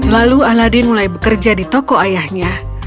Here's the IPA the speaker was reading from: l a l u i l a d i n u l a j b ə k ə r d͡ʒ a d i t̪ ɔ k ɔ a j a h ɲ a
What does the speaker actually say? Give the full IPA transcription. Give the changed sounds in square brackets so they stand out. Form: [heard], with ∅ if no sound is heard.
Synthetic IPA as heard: l a l u [a] l a d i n u l a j b ə k ə r d͡ʒ a d i t̪ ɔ k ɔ a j a h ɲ a